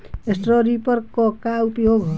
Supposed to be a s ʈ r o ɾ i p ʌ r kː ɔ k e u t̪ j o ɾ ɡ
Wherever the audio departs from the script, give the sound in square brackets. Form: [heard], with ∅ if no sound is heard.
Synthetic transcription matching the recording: [e] s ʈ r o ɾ i p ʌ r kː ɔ k [a] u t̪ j o [∅] ɡ